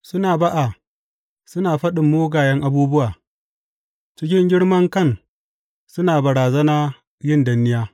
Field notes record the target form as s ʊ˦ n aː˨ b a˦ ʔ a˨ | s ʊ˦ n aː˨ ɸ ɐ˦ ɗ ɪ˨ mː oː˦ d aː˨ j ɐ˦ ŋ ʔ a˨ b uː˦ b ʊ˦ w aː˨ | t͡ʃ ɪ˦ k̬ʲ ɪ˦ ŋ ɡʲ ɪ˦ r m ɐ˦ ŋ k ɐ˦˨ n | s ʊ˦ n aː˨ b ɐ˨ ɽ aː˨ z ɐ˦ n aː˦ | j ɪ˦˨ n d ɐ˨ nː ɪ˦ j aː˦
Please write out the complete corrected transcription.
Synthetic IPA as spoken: s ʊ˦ n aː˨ b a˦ ʔ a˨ | s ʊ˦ n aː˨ ɸ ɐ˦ ɗ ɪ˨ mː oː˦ ɡ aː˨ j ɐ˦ ŋ ʔ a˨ b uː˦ b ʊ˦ w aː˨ | t͡ʃ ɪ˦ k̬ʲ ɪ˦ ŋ ɡʲ ɪ˦ ɽ m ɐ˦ ŋ k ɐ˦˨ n | s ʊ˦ n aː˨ b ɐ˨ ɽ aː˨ z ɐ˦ n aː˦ | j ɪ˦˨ n d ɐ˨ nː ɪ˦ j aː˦

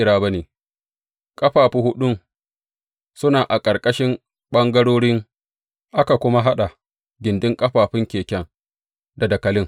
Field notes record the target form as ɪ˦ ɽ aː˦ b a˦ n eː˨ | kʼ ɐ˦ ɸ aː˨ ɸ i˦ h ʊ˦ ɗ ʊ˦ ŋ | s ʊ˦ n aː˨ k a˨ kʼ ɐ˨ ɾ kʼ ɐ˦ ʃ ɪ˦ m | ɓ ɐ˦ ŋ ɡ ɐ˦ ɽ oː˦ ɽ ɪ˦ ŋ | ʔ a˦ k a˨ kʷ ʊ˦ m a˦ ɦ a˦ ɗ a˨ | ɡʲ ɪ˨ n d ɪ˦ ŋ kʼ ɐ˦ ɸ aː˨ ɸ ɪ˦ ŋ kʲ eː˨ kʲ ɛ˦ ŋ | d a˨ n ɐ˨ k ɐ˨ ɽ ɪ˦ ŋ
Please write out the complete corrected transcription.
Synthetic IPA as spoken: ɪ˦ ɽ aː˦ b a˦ n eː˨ | kʼ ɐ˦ ɸ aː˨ ɸ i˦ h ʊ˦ ɗ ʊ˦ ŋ | s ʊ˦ n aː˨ ʔ a˨ kʼ ɐ˨ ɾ kʼ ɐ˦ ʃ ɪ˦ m | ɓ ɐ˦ ŋ ɡ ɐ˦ ɽ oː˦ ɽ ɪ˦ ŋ | ʔ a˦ k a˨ kʷ ʊ˦ m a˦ ɦ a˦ ɗ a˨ | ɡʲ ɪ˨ n d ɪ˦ ŋ kʼ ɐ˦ ɸ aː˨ ɸ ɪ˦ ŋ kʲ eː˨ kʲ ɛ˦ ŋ | d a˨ d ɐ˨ k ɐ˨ l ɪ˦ ŋ

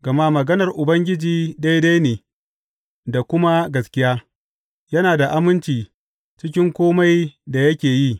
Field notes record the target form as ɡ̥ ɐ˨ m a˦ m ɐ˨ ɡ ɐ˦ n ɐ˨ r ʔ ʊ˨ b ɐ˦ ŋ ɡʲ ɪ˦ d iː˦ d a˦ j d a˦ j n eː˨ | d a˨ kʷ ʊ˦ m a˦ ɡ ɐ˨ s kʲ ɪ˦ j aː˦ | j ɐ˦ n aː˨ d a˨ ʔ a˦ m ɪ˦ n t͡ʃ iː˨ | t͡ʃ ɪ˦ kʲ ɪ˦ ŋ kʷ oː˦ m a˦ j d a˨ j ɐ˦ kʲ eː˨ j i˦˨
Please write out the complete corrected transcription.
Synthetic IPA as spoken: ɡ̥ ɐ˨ m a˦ m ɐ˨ ɡ ɐ˦ n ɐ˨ r ʔ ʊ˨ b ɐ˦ ŋ ɡʲ ɪ˦ d͡ʒ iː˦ d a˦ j d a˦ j n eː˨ | d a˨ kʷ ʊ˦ m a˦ ɡ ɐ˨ s kʲ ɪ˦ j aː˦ | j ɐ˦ n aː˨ d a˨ ʔ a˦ m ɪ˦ n t͡ʃ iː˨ | t͡ʃ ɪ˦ kʲ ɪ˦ ŋ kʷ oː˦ m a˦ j d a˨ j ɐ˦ kʲ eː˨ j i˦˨

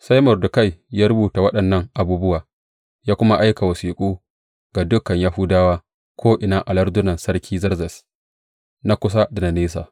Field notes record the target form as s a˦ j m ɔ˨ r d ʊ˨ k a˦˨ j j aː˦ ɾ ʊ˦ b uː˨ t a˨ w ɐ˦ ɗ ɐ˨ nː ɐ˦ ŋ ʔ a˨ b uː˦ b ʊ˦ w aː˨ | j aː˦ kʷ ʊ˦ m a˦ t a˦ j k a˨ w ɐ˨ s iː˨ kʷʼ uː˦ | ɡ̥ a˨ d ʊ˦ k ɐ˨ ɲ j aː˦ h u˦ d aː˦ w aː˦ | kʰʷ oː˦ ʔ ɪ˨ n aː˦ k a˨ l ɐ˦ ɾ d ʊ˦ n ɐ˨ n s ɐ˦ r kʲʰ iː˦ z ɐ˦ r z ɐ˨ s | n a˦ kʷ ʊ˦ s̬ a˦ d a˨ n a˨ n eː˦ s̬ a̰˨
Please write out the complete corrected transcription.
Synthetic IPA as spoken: s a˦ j m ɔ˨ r d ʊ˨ k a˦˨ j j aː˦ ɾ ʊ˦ b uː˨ t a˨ w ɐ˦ ɗ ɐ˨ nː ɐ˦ ŋ ʔ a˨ b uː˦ b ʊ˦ w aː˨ | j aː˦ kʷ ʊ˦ m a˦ ʔ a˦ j k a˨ w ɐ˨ s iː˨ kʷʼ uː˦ | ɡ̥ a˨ d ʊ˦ k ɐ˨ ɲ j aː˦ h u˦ d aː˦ w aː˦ | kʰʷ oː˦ ʔ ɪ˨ n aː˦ ʔ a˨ l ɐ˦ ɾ d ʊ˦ n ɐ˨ n s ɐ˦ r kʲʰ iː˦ z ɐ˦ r z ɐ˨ s | n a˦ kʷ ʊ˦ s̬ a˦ d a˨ n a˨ n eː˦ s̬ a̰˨

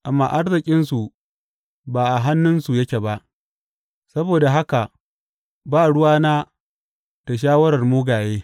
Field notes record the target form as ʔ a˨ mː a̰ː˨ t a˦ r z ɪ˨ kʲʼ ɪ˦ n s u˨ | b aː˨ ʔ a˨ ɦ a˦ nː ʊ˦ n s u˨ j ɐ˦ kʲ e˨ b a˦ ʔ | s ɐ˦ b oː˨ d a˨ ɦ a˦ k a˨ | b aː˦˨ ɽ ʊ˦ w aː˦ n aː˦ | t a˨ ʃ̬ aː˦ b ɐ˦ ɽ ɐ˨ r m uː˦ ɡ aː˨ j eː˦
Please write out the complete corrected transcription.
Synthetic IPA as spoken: ʔ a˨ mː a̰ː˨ ʔ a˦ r z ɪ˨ kʲʼ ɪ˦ n s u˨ | b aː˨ ʔ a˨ ɦ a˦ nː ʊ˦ n s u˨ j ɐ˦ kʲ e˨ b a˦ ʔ | s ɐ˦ b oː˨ d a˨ ɦ a˦ k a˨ | b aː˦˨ ɽ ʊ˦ w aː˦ n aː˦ | t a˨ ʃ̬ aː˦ w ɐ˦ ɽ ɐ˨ r m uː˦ ɡ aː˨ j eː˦

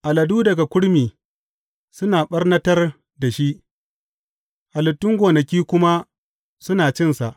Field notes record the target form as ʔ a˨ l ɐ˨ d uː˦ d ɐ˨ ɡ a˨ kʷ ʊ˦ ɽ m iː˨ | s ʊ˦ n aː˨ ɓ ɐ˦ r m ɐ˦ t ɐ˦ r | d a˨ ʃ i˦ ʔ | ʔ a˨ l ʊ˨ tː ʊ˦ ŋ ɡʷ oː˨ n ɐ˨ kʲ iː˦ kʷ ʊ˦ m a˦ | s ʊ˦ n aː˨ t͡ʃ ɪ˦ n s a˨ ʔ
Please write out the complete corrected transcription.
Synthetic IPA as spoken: ʔ a˨ l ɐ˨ d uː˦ d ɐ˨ ɡ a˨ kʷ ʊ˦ ɽ m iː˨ | s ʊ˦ n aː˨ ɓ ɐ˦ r n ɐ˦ t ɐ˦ r | d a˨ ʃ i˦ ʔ | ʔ a˨ l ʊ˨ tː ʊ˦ ŋ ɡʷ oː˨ n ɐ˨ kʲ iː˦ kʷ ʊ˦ m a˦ | s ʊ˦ n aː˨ t͡ʃ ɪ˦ n s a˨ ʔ

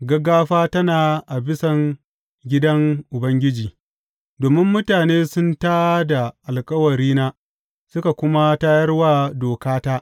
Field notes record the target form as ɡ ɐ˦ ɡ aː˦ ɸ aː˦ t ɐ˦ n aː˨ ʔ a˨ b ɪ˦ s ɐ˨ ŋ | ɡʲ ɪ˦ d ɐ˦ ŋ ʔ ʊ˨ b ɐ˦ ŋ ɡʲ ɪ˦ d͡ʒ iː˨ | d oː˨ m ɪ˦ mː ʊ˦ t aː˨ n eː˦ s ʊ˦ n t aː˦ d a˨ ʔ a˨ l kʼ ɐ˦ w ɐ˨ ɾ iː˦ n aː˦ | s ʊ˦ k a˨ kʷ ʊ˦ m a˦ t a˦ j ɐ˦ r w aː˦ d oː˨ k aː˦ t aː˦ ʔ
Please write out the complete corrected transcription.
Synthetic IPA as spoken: ɡ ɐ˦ ɡ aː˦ ɸ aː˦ t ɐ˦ n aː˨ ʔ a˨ b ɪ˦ s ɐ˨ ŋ | ɡʲ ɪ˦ d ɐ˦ ŋ ʔ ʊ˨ b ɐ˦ ŋ ɡʲ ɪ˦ d͡ʒ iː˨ | d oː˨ m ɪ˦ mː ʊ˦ t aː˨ n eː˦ s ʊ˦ n t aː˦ d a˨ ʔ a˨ l kʼ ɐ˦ w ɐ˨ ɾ iː˦ n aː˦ | s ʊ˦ k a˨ kʷ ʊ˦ m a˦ t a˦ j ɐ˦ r w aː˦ d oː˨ k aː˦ t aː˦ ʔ

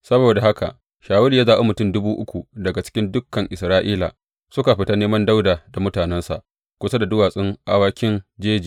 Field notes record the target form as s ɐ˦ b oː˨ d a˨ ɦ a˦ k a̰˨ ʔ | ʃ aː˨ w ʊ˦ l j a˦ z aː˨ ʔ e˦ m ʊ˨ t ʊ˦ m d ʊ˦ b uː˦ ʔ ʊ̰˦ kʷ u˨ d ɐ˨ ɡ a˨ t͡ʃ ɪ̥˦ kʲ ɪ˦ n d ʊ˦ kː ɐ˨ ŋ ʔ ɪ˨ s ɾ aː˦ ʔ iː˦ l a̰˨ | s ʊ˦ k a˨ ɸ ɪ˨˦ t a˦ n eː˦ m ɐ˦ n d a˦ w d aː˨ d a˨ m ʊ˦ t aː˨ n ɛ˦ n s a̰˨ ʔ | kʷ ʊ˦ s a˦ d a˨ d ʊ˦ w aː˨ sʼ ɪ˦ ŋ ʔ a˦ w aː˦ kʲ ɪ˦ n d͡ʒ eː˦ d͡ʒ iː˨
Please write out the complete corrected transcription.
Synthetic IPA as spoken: s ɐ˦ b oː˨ d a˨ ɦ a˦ k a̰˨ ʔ | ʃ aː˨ w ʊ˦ l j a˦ z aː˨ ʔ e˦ m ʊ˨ t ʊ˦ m d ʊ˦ b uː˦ ʔ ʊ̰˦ kʷ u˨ d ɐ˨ ɡ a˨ t͡ʃ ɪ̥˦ kʲ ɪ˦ n d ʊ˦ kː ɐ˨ ŋ ʔ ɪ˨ s ɾ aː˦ ʔ iː˦ l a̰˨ | s ʊ˦ k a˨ ɸ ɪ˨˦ t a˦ n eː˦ m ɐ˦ n d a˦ w d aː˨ d a˨ m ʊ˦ t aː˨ n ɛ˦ n s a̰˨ ʔ | kʷ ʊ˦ s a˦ d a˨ d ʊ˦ w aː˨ sʼ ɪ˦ ŋ ʔ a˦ w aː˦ kʲ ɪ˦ n d͡ʒ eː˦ d͡ʒ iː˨

